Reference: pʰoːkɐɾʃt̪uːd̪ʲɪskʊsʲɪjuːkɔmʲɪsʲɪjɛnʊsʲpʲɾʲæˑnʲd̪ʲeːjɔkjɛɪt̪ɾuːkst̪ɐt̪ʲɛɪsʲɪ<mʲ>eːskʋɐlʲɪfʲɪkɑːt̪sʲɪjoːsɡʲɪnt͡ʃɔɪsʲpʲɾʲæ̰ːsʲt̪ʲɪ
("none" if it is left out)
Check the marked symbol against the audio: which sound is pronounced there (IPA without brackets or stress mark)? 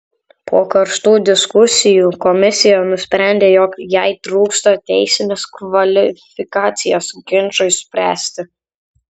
nʲ